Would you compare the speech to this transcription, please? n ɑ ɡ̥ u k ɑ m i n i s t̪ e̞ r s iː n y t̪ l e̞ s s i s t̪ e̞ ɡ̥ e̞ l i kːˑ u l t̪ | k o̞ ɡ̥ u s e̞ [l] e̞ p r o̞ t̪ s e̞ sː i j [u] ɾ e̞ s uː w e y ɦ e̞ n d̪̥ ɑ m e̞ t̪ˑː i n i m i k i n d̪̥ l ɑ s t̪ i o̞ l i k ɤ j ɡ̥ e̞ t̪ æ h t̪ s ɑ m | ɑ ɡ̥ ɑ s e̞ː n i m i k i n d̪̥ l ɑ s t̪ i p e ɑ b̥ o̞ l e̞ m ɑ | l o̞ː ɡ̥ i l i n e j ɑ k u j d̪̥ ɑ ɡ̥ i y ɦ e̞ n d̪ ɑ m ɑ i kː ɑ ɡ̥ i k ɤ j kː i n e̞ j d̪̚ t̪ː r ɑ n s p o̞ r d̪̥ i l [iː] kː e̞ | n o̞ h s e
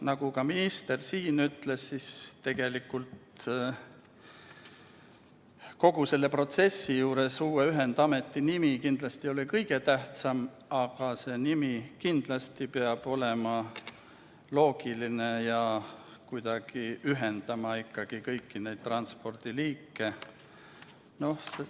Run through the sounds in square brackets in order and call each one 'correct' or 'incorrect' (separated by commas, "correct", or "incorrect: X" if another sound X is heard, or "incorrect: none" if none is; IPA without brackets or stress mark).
incorrect: lː, incorrect: uː, correct